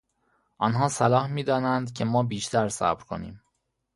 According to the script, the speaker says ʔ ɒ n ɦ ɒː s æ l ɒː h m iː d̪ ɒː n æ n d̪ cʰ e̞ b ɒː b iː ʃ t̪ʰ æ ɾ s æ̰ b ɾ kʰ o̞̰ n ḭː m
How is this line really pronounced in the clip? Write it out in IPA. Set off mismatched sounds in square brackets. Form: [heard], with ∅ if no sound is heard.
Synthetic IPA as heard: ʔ ɒ n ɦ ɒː s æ l ɒː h m iː d̪ ɒː n æ n d̪ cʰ e̞ [m] ɒː b iː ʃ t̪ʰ æ ɾ s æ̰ b ɾ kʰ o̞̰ n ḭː m